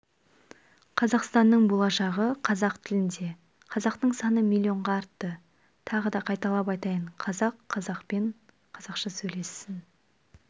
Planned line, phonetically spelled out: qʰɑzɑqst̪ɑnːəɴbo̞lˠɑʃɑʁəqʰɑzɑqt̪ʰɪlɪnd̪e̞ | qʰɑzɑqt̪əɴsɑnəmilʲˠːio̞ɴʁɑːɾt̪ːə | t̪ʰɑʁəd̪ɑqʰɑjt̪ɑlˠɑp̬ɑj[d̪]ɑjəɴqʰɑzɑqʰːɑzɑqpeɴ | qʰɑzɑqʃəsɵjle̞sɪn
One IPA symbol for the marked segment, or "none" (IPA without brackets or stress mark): t̪